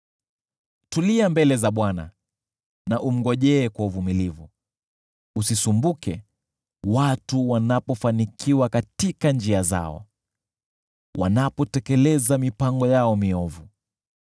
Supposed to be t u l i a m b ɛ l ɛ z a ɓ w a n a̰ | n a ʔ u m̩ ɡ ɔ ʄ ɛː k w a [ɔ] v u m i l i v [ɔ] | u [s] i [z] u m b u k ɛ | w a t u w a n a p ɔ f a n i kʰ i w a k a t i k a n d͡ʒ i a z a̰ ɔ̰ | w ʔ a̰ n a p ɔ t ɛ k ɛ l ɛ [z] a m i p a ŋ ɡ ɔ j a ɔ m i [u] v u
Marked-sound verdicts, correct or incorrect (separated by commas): incorrect, incorrect, correct, incorrect, correct, incorrect